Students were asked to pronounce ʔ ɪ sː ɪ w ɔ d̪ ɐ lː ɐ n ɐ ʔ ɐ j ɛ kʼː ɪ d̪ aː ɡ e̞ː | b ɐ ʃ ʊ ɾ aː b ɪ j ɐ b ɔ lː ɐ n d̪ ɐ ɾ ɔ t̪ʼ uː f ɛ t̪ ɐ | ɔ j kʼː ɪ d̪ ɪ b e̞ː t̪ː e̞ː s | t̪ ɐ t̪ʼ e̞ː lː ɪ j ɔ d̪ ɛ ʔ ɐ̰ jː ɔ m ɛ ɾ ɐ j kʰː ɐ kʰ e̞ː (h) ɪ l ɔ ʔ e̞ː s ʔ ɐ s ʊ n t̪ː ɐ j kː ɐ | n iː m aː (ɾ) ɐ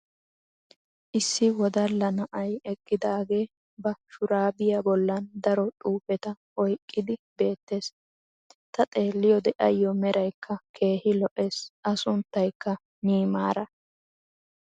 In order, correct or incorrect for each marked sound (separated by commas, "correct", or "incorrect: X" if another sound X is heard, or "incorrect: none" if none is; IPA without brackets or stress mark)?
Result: correct, correct